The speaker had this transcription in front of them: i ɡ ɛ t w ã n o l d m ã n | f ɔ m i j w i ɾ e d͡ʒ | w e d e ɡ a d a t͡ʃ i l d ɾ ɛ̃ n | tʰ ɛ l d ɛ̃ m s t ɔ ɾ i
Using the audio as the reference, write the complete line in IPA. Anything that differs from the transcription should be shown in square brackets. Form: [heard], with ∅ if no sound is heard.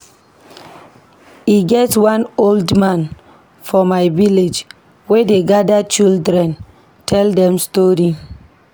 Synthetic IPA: i ɡ ɛ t w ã n o l d m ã n | f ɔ m [a] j [v] i [l] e d͡ʒ | w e d e ɡ a d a t͡ʃ i l d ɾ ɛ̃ n | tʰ ɛ l d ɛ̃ m s t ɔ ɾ i